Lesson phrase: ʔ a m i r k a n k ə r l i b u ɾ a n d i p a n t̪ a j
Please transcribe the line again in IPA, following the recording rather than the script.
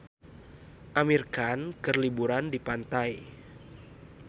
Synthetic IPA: ʔ a m i r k a n k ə r l i b u ɾ a n d i p a n t̪ a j